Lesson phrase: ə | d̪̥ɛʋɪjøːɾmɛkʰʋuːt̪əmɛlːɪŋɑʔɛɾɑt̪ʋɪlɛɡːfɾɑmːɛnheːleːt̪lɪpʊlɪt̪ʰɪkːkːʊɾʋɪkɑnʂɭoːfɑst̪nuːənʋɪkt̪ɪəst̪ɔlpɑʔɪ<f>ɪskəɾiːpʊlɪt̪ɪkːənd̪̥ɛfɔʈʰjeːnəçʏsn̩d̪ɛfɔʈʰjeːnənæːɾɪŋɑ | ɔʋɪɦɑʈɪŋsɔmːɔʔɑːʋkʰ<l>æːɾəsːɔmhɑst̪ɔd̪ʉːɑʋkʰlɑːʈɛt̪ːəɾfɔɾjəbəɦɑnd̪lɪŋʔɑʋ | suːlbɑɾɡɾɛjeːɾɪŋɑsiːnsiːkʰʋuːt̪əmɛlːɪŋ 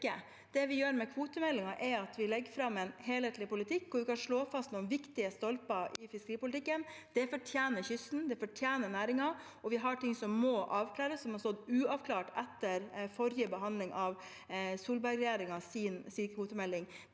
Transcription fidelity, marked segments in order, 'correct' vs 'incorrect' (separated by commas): correct, correct